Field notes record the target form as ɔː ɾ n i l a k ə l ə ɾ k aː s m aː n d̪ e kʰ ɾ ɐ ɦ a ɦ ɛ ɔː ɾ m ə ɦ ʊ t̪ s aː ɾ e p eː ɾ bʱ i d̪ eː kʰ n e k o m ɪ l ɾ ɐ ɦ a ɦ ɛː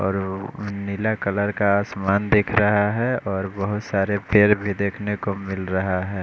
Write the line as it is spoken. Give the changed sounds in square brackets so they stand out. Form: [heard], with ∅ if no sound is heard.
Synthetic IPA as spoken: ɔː ɾ n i l a k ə l ə ɾ k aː s m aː n d̪ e kʰ ɾ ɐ ɦ a ɦ ɛ ɔː ɾ [b] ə ɦ ʊ t̪ s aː ɾ e p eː ɾ bʱ i d̪ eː kʰ n e k o m ɪ l ɾ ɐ ɦ a ɦ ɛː